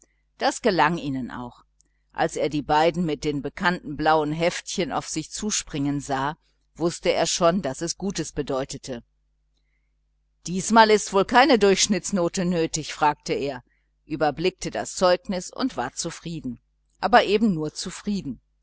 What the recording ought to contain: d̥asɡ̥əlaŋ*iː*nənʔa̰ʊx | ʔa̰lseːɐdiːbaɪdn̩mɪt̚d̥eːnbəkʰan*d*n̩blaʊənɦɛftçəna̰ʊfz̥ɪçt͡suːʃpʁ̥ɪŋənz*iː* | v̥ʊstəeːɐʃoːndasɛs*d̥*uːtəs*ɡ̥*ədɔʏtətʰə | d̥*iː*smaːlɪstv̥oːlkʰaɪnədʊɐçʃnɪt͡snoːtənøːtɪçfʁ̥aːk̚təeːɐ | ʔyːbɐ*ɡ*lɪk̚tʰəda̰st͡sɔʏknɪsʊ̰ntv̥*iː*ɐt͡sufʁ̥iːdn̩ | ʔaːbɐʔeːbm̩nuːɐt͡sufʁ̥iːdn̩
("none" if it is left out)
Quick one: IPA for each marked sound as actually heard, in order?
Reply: iː, t, aː, ɡ̥, b̥, iː, b, aː

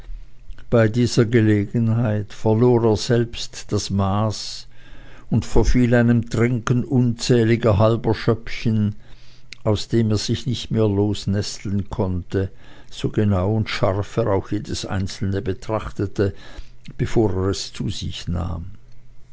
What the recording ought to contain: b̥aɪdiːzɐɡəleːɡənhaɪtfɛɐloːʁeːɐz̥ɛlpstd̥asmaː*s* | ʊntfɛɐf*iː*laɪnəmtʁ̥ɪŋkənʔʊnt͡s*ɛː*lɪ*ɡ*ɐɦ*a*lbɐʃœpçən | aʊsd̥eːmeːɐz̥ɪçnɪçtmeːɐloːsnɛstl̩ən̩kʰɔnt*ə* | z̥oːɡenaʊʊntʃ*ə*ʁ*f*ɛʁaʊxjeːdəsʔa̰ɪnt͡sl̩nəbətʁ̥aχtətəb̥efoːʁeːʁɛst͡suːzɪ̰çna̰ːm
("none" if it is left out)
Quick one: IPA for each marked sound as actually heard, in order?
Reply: s, iː, ɛː, ɡ, a, ə, a, f

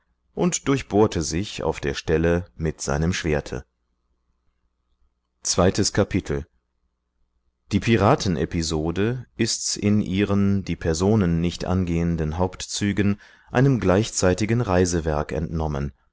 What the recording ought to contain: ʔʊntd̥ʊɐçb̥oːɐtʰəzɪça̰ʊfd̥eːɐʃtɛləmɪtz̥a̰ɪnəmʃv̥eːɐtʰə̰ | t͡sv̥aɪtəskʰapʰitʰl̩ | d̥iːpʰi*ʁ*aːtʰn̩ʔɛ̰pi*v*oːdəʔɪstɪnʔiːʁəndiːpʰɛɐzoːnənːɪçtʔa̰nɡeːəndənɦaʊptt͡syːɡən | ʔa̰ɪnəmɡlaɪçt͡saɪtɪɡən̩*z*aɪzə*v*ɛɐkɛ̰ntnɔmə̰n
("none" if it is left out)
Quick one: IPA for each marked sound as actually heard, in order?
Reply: ʁ, z, ʁ, v

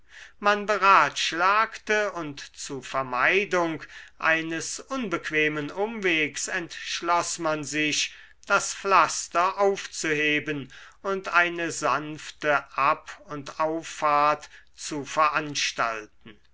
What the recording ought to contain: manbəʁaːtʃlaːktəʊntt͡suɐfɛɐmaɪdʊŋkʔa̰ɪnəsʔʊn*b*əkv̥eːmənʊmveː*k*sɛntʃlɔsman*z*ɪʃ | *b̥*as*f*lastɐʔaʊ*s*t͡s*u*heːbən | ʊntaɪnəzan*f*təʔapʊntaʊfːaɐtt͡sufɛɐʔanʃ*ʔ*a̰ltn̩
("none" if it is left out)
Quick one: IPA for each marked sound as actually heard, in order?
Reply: b, k, z, d̥, f, f, u, f, t

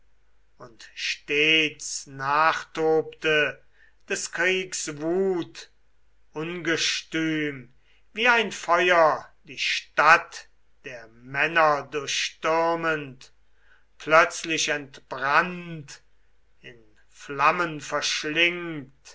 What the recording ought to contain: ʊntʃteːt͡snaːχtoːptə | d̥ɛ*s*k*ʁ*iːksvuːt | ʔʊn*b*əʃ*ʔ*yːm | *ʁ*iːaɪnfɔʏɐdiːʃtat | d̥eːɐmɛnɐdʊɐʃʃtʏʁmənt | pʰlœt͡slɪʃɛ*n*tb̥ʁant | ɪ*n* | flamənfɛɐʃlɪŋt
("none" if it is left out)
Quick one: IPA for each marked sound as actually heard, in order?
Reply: s, ʁ, ɡ, t, v, n, n

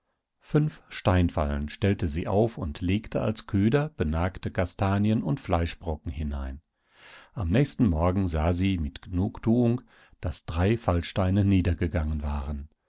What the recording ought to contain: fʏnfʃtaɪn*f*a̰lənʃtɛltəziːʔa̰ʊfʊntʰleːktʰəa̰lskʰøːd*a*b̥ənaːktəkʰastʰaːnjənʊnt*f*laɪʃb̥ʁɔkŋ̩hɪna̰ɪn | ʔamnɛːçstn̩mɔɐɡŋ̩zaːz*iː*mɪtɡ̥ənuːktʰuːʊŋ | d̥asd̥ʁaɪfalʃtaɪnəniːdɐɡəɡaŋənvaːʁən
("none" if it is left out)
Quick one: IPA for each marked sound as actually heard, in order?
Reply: f, ɐ, f, iː

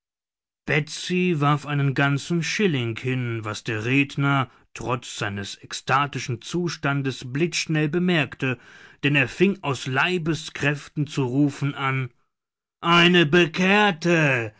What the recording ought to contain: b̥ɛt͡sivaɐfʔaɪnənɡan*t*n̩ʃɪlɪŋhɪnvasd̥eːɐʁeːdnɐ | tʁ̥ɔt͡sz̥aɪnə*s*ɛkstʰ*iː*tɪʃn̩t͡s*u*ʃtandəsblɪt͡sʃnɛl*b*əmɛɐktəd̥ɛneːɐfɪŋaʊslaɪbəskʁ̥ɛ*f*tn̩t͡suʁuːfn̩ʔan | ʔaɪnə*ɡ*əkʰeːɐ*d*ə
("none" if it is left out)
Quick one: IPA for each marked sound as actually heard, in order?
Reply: t͡s, s, aː, uː, b, f, b, t

